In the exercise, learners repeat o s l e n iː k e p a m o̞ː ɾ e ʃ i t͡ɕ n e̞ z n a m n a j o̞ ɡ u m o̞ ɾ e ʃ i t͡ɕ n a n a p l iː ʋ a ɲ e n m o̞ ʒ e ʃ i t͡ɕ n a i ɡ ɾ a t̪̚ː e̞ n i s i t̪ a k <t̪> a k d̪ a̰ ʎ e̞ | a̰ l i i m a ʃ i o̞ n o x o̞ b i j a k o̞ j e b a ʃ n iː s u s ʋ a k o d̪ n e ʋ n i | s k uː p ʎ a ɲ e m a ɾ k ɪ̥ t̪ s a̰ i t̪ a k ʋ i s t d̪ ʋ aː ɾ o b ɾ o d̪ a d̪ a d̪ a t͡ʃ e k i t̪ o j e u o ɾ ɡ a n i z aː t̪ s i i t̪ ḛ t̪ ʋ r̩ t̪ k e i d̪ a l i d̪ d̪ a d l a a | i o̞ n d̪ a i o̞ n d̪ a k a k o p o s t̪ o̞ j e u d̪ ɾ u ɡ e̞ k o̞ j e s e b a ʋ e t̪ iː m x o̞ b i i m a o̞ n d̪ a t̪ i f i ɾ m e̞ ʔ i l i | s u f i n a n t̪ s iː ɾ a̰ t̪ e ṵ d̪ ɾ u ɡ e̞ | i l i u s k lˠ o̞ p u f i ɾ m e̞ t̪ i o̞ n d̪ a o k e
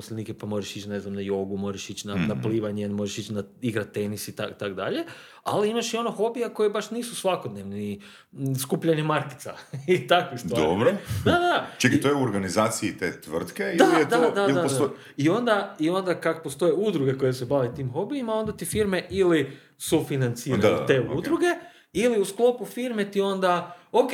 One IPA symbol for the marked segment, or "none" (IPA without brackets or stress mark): t̪